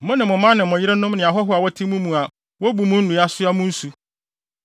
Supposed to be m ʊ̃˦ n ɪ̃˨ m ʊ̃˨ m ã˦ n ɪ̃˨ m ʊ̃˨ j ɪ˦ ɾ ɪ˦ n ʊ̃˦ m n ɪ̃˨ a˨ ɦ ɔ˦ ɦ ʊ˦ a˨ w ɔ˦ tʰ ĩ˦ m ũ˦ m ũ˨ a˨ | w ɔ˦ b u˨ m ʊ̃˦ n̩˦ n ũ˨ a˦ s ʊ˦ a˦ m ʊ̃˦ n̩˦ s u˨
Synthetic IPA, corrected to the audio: m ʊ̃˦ n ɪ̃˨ m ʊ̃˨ m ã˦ n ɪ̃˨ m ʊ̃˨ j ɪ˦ ɾ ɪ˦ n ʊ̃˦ m n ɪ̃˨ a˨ ɦ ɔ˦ ɦ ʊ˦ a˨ w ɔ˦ tʰ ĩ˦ m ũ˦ m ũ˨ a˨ | w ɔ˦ b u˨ m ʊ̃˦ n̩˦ n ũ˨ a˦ s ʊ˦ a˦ m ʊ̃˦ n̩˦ s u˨